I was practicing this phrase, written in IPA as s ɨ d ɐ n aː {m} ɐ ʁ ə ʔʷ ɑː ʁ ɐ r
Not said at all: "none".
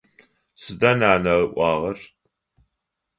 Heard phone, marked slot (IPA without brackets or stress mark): n